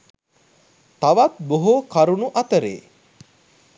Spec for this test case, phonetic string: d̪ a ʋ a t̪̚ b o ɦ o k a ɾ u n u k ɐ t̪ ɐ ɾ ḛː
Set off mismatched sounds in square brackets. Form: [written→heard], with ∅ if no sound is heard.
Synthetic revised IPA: [d̪→t̪] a ʋ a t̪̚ b o ɦ o k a ɾ u n u [k→ʔ] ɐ t̪ [ɐ→ə] ɾ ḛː